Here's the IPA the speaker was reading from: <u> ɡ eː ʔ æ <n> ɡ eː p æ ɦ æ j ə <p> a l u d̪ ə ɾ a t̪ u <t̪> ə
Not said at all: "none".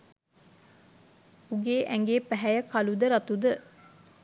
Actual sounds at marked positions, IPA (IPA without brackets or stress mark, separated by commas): u, ŋ, k, d̪